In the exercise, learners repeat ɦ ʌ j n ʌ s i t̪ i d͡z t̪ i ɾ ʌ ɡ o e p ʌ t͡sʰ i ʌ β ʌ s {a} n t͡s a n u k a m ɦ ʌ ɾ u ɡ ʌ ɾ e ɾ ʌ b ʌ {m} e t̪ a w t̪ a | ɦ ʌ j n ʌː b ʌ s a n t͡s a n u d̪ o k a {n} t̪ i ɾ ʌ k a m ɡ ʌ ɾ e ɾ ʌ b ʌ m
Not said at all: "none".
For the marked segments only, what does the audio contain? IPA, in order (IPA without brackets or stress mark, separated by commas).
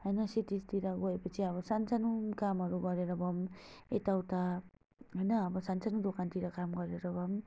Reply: a, m, n